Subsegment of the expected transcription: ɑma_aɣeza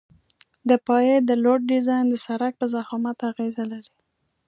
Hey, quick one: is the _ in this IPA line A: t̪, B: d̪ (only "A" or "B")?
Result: A